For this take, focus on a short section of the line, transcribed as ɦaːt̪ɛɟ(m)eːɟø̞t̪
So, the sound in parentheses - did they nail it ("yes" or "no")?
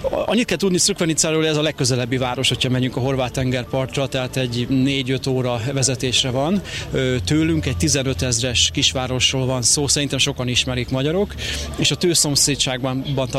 no